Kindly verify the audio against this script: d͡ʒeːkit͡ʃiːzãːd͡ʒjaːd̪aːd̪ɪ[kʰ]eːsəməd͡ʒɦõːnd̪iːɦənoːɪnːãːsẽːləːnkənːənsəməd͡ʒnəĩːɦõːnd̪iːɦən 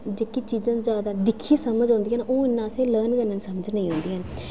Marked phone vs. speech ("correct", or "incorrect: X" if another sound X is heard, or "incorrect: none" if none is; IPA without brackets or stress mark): correct